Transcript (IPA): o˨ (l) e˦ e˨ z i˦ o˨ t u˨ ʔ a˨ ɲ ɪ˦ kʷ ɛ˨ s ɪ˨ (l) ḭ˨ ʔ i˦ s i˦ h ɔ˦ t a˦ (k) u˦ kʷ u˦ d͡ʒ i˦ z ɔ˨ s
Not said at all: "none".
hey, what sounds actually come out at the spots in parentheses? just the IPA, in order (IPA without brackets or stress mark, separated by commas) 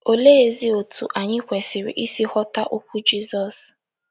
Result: l, ɾ, ʔ